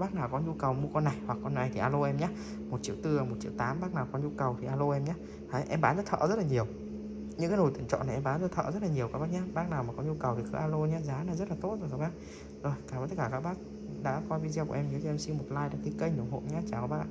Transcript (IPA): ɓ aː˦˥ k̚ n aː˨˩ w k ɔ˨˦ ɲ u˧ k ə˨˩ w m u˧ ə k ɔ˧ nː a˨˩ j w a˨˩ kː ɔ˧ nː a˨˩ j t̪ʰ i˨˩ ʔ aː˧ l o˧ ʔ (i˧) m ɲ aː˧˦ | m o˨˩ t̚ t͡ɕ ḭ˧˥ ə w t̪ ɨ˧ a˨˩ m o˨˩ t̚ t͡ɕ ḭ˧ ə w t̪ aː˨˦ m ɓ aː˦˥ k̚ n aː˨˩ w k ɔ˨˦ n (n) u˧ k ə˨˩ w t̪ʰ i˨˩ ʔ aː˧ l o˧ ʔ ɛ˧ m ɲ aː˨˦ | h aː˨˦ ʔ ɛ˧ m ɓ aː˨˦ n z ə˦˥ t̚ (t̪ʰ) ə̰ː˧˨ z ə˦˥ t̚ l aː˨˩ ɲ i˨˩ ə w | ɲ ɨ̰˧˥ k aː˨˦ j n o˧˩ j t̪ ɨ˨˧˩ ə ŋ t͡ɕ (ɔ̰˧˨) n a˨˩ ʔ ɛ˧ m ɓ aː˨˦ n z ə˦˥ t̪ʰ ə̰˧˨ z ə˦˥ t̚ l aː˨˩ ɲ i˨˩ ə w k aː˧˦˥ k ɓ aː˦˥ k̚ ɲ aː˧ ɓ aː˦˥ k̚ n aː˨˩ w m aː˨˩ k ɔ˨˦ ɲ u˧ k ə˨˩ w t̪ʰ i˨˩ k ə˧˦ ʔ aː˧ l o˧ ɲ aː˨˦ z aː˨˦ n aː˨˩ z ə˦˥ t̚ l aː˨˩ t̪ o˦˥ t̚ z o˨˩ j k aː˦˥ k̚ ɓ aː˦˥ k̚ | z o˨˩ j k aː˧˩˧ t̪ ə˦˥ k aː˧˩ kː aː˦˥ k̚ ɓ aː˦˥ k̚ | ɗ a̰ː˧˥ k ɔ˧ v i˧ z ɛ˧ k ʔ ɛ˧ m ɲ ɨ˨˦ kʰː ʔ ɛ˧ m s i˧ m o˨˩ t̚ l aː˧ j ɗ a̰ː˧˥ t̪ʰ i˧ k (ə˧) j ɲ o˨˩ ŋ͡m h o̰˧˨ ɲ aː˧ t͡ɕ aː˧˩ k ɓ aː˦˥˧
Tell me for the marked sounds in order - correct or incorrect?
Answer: incorrect, incorrect, correct, correct, correct

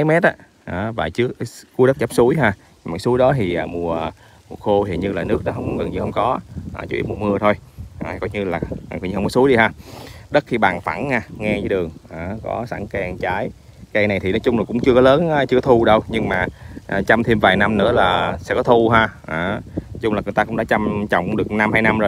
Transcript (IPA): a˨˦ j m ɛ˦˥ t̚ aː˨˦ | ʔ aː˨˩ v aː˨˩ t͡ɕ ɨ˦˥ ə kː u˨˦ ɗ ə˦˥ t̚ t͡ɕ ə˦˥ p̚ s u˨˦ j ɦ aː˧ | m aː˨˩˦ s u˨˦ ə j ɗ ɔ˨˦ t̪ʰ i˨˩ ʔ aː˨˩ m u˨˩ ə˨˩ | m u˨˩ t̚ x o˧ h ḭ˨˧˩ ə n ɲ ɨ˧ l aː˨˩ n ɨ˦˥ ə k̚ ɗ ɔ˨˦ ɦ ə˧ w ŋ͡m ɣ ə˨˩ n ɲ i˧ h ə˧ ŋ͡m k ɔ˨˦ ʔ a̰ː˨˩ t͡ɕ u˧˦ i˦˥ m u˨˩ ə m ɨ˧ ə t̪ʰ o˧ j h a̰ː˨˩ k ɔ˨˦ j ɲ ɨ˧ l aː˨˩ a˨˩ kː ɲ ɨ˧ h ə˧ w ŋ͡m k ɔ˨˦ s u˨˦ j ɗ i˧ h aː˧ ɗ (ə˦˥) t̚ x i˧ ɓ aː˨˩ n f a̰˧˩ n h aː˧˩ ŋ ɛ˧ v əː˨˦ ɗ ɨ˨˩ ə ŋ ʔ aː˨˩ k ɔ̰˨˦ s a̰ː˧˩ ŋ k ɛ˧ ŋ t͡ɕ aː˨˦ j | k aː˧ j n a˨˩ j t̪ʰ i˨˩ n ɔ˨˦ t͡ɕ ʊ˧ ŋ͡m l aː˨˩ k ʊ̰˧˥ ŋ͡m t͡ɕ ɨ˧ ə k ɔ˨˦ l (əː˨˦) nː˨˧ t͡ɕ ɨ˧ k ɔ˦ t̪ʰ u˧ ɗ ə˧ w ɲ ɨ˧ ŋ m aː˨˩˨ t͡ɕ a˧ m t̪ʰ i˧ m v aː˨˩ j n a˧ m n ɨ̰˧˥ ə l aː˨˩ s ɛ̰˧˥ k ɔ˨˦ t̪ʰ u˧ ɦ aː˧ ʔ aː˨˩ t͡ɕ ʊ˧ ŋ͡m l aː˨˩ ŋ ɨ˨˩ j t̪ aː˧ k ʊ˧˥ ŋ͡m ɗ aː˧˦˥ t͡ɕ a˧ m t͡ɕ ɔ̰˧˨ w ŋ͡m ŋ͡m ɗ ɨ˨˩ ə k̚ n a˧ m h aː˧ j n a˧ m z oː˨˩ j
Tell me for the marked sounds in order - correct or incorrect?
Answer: correct, correct

